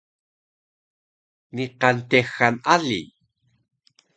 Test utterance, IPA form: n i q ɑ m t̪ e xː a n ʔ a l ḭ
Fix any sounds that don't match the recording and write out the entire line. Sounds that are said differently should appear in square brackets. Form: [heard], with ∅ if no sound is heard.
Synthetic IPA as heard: n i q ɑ [n] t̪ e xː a n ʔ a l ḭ